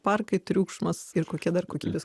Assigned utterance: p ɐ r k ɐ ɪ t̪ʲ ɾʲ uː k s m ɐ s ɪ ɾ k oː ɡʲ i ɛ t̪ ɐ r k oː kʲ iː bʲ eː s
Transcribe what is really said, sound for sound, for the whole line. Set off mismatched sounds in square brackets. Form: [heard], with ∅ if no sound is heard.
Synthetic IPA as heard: p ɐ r k ɐ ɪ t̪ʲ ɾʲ uː k [ʃ] m ɐ s ɪ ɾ k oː [kʲ] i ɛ [d̪] ɐ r k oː kʲ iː bʲ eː s